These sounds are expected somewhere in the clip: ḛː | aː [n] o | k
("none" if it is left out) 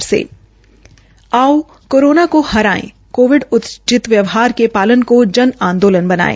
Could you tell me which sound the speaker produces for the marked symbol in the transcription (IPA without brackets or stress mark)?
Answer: none